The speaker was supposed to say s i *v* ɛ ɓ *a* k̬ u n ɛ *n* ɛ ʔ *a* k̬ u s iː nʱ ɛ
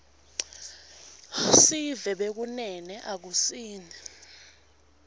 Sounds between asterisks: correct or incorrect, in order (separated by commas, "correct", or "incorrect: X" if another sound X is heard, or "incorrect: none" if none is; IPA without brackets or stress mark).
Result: correct, incorrect: e, correct, correct